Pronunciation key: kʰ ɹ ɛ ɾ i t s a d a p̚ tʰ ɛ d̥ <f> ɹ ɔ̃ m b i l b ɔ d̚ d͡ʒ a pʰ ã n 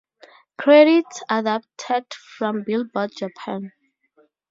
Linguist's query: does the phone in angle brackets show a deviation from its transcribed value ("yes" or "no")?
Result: no